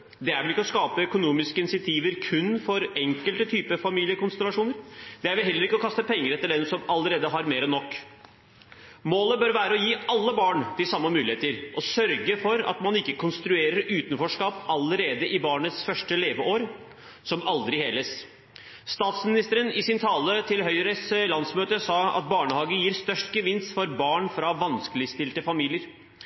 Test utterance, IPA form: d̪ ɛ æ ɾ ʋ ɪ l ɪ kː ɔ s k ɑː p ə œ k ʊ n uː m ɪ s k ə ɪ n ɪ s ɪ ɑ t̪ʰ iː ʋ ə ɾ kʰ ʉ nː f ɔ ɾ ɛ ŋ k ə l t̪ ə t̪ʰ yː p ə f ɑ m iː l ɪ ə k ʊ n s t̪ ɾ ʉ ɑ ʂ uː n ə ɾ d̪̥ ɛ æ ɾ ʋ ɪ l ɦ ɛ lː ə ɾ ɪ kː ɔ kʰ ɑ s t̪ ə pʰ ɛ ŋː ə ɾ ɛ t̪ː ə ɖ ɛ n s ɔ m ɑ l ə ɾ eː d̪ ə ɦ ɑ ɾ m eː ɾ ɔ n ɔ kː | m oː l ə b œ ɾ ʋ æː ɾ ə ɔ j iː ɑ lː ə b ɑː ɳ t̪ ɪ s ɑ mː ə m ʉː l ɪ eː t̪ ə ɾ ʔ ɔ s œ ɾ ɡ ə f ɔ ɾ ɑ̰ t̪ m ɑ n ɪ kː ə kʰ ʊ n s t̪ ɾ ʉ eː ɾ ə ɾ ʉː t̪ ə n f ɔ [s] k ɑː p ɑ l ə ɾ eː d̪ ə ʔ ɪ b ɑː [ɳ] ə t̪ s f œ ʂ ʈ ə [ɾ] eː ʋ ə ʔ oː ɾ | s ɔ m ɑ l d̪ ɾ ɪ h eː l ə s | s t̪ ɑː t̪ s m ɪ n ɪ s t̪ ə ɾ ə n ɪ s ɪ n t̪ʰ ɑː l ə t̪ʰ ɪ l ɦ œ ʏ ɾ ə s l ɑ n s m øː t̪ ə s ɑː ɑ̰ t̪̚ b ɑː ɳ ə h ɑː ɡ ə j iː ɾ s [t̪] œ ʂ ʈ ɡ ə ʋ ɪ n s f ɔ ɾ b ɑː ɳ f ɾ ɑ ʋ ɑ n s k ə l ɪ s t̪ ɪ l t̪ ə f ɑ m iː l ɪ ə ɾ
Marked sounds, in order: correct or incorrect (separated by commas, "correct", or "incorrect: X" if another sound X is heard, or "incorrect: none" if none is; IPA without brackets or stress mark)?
incorrect: ʂ, correct, incorrect: l, correct